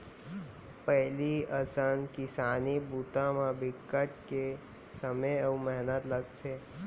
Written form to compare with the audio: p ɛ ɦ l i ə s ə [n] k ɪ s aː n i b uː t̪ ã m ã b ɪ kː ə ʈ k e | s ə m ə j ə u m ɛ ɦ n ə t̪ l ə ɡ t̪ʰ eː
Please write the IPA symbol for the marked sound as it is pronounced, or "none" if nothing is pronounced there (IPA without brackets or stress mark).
n